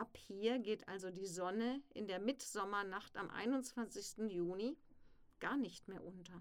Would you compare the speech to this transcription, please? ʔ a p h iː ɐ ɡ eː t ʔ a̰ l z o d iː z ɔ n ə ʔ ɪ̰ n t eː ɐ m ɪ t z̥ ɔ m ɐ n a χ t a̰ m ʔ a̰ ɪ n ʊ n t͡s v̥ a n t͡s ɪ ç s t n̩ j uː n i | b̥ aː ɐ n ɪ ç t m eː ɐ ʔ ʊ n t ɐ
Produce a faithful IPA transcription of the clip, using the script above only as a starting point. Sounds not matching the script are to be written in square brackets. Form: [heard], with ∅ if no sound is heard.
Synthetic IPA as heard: ʔ a p h iː ɐ ɡ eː t ʔ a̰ l z o d iː z ɔ n ə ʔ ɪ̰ n [d] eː ɐ m ɪ t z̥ ɔ m ɐ n a χ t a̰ m ʔ a̰ ɪ n ʊ n t͡s v̥ a n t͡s ɪ ç s t n̩ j uː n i | [ɡ̥] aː ɐ n ɪ ç t m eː ɐ ʔ ʊ n t ɐ